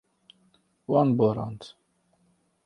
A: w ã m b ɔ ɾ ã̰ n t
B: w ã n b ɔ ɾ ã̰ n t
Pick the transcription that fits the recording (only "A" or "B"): B